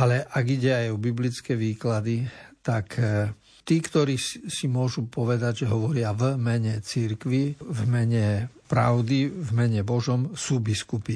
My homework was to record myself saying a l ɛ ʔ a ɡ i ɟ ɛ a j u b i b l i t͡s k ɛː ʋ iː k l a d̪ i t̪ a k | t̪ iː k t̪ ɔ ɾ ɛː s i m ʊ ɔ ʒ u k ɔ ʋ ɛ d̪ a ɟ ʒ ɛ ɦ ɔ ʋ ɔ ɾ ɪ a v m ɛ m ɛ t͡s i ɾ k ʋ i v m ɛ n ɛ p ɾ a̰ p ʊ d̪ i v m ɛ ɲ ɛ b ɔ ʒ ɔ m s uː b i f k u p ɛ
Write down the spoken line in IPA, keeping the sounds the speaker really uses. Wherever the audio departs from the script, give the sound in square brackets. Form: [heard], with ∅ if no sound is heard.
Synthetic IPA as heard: a l ɛ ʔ a ɡ i ɟ ɛ a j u b i b l i t͡s k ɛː ʋ iː k l a d̪ i t̪ a k | t̪ iː k t̪ ɔ ɾ [iː] s i m ʊ ɔ ʒ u [p] ɔ ʋ ɛ d̪ a ɟ ʒ ɛ ɦ ɔ ʋ ɔ ɾ ɪ a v m ɛ [ɲ] ɛ t͡s i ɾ k ʋ i v m ɛ [ɲ] ɛ p ɾ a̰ [∅] ʊ d̪ i v m ɛ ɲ ɛ b ɔ ʒ ɔ m s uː b i [s] k u p [i]